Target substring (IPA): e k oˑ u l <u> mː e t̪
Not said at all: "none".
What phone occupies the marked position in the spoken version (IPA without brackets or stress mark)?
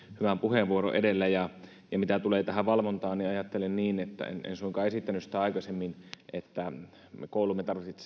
u